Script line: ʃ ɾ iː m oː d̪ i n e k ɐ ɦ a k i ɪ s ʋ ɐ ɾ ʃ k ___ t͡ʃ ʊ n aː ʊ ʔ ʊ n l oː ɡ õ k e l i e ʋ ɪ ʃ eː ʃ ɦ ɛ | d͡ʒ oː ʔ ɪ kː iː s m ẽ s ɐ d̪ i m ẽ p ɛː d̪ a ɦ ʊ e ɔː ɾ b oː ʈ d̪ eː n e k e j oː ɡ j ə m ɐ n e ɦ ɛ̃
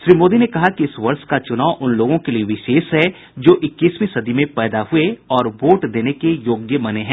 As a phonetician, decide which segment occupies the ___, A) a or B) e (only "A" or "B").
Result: A